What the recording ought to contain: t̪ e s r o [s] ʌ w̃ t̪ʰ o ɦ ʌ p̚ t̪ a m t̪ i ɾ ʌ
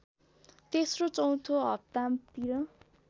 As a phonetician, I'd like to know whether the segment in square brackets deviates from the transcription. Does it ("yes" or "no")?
yes